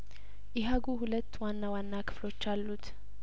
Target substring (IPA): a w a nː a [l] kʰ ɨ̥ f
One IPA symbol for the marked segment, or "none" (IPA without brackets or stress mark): none